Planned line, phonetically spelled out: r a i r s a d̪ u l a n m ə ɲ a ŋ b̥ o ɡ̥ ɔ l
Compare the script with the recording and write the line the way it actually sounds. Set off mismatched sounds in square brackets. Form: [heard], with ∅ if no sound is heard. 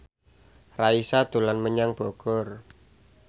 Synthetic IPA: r a i [∅] s a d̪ u l a n m ə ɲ a ŋ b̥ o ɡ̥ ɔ [r]